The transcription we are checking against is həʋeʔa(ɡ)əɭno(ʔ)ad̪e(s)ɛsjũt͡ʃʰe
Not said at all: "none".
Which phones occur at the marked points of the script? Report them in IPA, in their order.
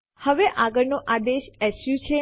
ɡ, ʔ, ʃ

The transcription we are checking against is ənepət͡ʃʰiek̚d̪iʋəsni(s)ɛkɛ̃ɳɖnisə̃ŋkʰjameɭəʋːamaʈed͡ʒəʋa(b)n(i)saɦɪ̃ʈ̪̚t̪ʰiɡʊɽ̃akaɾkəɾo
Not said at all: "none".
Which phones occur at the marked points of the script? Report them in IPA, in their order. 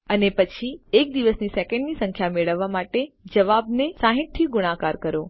s, b, e

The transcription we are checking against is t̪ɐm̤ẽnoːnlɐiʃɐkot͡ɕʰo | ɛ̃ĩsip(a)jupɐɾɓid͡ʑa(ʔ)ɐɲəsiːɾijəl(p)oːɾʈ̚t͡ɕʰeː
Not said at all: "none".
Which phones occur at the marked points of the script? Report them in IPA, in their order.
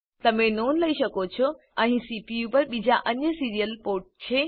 i, ʔ, p

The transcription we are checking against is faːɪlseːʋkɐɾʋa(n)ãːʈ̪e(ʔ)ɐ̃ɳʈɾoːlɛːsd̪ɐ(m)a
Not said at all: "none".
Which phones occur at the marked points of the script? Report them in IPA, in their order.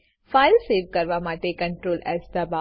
m, k, b

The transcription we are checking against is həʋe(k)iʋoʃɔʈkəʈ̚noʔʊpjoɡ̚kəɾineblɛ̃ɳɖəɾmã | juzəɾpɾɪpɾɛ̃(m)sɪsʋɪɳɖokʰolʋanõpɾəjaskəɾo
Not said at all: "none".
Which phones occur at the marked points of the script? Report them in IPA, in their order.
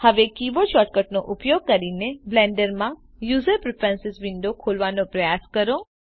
k, n

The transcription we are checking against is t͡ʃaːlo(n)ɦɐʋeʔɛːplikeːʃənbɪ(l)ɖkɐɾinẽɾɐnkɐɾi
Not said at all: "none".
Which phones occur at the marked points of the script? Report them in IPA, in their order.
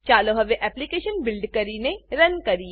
none, l

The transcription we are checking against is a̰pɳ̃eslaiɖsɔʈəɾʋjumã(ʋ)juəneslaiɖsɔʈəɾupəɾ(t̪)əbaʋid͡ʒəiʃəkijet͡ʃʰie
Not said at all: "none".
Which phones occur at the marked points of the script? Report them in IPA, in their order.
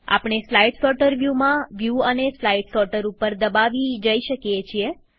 ʋ, d̪

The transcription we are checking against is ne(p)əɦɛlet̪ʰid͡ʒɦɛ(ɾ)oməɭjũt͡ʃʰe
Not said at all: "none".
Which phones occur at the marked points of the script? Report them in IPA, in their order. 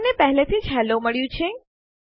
p, l

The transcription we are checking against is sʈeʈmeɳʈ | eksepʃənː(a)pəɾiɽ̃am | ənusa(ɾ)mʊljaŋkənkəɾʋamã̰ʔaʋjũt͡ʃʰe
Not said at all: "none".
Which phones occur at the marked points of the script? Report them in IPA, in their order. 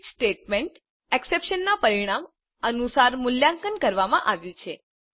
a, ɾ

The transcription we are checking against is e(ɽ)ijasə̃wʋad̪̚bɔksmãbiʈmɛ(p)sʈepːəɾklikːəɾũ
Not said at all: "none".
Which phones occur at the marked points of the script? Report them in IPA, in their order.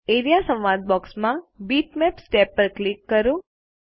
ɾ, p

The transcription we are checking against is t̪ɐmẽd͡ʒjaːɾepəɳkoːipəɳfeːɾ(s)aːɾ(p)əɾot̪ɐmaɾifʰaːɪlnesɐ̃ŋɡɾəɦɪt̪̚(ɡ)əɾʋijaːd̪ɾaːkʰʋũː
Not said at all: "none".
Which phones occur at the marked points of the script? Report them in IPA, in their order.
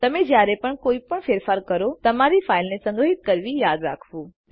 f, k, k

